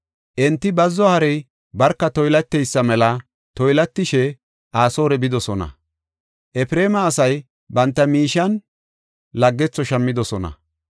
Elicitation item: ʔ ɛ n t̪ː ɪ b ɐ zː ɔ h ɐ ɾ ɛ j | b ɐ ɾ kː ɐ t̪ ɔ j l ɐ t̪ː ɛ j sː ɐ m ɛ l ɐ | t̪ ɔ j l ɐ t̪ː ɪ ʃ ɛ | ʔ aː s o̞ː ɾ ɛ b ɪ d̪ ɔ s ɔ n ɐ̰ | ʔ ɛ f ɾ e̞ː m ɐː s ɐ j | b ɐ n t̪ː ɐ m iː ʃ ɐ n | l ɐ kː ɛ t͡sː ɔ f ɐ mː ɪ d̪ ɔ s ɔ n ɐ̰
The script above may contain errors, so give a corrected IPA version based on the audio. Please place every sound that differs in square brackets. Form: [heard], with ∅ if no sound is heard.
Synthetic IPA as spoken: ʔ ɛ n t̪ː ɪ b ɐ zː ɔ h ɐ ɾ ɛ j | b ɐ ɾ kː ɐ t̪ ɔ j l ɐ t̪ː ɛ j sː ɐ m ɛ l ɐ | t̪ ɔ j l ɐ t̪ː ɪ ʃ ɛ | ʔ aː s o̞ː ɾ ɛ b ɪ d̪ ɔ s ɔ n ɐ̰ | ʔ ɛ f ɾ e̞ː m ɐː s ɐ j | b ɐ n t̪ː ɐ m iː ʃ ɐ n | l ɐ [ɡː] ɛ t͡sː ɔ [ʃ] ɐ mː ɪ d̪ ɔ s ɔ n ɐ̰

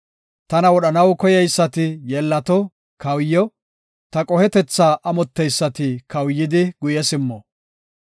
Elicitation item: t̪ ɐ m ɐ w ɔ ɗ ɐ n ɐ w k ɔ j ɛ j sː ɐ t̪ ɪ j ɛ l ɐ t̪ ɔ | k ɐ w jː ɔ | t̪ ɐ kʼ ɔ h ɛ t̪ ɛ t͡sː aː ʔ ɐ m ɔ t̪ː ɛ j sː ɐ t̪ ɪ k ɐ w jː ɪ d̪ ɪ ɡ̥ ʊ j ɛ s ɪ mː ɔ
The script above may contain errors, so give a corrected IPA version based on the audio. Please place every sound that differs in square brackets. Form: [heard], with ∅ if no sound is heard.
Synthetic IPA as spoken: t̪ ɐ [n] ɐ w ɔ ɗ ɐ n ɐ w k ɔ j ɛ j sː ɐ t̪ ɪ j ɛ [lː] ɐ t̪ ɔ | k ɐ w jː ɔ | t̪ ɐ kʼ ɔ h ɛ t̪ ɛ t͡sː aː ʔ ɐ m ɔ t̪ː ɛ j sː ɐ t̪ ɪ k ɐ w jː ɪ d̪ ɪ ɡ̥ ʊ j ɛ s ɪ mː ɔ

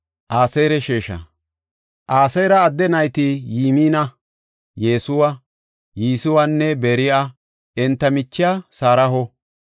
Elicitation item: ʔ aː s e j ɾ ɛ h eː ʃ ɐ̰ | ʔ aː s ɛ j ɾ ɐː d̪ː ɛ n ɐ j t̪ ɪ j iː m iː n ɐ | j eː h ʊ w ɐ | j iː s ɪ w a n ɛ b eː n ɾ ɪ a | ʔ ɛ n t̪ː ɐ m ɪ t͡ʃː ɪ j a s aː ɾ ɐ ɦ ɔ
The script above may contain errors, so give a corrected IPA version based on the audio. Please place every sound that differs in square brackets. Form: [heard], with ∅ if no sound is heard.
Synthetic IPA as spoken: ʔ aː s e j ɾ ɛ [ʃ] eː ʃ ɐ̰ | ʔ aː s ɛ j ɾ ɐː d̪ː ɛ n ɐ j t̪ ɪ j iː m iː n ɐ | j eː [s] ʊ w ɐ | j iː s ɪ w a [nː] ɛ b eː [∅] ɾ ɪ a | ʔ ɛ n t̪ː ɐ m ɪ t͡ʃː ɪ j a s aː ɾ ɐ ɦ ɔ

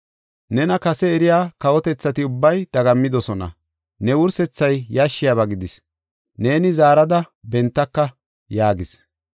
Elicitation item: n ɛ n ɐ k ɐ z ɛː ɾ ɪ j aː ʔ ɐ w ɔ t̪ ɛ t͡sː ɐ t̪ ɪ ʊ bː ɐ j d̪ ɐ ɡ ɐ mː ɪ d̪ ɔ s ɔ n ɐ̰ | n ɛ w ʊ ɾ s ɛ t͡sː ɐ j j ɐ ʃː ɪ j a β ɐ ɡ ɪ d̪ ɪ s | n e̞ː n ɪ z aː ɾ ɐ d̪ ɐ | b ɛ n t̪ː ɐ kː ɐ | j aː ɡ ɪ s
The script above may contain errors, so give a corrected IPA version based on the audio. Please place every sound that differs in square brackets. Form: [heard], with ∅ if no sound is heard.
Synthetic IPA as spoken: n ɛ n ɐ k ɐ [s] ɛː ɾ ɪ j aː [k] ɐ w ɔ t̪ ɛ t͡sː ɐ t̪ ɪ ʊ bː ɐ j d̪ ɐ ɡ ɐ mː ɪ d̪ ɔ s ɔ n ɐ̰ | n ɛ w ʊ ɾ s ɛ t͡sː ɐ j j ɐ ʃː ɪ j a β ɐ ɡ ɪ d̪ ɪ s | n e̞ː n ɪ z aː ɾ ɐ d̪ ɐ | b ɛ n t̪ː ɐ kː ɐ | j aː ɡ ɪ s

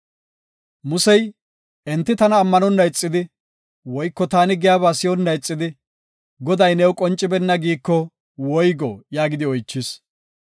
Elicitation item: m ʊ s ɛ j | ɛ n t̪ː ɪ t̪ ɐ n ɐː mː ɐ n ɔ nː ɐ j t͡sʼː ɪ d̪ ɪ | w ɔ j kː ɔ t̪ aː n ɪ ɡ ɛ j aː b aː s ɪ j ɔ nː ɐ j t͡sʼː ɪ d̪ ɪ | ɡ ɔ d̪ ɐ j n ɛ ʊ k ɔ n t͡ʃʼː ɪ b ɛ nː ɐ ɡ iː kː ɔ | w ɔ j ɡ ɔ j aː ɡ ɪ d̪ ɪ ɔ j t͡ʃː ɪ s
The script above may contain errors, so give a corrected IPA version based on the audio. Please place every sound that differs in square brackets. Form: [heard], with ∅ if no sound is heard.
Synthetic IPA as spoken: m ʊ s ɛ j | ɛ n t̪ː ɪ t̪ ɐ n ɐː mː ɐ n ɔ nː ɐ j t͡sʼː ɪ d̪ ɪ | w ɔ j kː ɔ t̪ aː n ɪ ɡ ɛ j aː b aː s ɪ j ɔ nː ɐ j t͡sʼː ɪ d̪ ɪ | ɡ ɔ d̪ ɐ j n ɛ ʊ [kʼ] ɔ n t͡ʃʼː ɪ b ɛ nː ɐ ɡ iː kː ɔ | w ɔ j ɡ ɔ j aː ɡ ɪ d̪ ɪ ɔ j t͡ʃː ɪ s

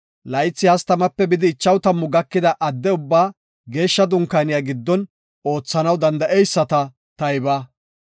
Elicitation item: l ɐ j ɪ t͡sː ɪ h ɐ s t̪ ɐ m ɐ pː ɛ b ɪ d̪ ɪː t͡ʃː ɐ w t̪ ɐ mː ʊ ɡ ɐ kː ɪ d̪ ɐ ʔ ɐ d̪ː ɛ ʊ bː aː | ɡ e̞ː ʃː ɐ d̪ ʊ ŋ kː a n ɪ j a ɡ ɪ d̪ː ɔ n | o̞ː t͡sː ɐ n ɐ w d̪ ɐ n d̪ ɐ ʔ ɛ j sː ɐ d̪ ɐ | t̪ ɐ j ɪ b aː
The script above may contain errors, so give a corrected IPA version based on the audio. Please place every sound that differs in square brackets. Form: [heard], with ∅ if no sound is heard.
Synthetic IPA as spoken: l ɐ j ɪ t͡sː ɪ h ɐ s t̪ ɐ m ɐ pː ɛ b ɪ d̪ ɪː t͡ʃː ɐ w t̪ ɐ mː ʊ ɡ ɐ kː ɪ d̪ ɐ ʔ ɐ d̪ː ɛ ʊ bː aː | ɡ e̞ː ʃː ɐ d̪ ʊ ŋ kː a n ɪ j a ɡ ɪ d̪ː ɔ n | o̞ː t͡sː ɐ n ɐ w d̪ ɐ n d̪ ɐ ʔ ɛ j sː ɐ [t̪] ɐ | t̪ ɐ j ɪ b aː

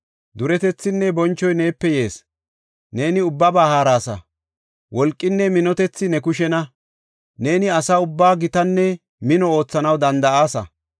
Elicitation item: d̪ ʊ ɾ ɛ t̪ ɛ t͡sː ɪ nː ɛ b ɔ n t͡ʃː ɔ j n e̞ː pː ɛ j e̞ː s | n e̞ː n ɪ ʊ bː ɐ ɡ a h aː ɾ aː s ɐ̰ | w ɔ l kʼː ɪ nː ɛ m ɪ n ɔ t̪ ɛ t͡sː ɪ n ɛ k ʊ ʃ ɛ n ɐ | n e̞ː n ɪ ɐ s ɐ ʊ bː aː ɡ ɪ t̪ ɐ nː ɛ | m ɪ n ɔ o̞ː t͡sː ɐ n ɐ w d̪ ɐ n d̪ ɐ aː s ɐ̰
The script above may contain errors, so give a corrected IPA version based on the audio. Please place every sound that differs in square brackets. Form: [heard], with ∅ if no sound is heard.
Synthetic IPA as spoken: d̪ ʊ ɾ ɛ t̪ ɛ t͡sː ɪ nː ɛ b ɔ n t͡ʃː ɔ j n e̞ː pː ɛ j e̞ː s | n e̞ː n ɪ ʊ bː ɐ [b] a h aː ɾ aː s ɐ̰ | w ɔ l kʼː ɪ nː ɛ m ɪ n ɔ t̪ ɛ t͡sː ɪ n ɛ k ʊ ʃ ɛ n ɐ | n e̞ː n ɪ ɐ s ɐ ʊ bː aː ɡ ɪ t̪ ɐ nː ɛ | m ɪ n ɔ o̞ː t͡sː ɐ n ɐ w d̪ ɐ n d̪ ɐ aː s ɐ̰

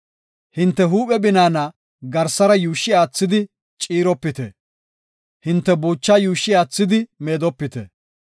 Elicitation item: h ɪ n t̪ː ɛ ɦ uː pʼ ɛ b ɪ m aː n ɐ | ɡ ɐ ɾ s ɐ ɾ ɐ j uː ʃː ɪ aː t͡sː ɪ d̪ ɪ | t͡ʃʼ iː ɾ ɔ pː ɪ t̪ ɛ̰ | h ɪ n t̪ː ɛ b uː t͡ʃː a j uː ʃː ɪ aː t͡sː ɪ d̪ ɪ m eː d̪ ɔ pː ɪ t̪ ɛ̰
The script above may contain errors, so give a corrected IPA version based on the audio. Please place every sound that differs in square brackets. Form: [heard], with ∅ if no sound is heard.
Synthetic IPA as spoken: h ɪ n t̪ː ɛ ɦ uː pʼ ɛ b ɪ [n] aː n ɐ | ɡ ɐ ɾ s ɐ ɾ ɐ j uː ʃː ɪ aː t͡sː ɪ d̪ ɪ | t͡ʃʼ iː ɾ ɔ pː ɪ t̪ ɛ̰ | h ɪ n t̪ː ɛ b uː t͡ʃː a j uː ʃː ɪ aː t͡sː ɪ d̪ ɪ m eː d̪ ɔ pː ɪ t̪ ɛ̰

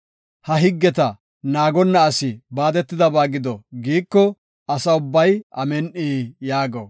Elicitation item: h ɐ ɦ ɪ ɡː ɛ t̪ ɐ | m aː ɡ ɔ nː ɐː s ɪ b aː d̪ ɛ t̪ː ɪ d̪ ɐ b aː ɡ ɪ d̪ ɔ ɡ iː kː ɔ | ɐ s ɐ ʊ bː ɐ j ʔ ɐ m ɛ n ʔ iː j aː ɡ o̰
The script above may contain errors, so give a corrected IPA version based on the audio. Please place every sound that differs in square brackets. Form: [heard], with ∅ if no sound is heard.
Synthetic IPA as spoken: h ɐ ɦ ɪ ɡː ɛ t̪ ɐ | [n] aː ɡ ɔ nː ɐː s ɪ b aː d̪ ɛ t̪ː ɪ d̪ ɐ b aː ɡ ɪ d̪ ɔ ɡ iː kː ɔ | ɐ s ɐ ʊ bː ɐ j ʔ ɐ m ɛ n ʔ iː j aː ɡ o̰

